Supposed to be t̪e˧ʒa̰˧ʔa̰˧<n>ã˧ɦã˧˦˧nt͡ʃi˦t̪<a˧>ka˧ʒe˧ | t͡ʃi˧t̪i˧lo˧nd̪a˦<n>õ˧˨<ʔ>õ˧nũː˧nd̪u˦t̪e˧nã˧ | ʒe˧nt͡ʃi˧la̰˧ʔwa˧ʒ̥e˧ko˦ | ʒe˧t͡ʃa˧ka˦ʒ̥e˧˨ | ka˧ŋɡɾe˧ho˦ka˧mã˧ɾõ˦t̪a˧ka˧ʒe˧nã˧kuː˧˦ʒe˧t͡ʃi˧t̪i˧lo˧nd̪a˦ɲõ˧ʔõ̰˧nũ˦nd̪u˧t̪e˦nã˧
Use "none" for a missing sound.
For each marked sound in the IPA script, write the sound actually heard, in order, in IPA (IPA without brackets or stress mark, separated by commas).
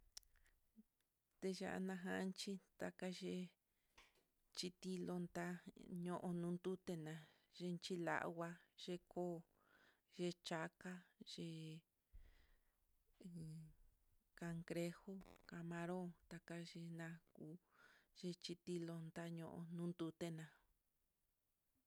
n, a˧, ɲ, ʔ